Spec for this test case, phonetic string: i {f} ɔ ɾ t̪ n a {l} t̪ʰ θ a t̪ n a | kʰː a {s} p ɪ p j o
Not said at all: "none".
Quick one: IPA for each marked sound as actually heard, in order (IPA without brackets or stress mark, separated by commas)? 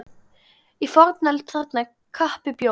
f, l, h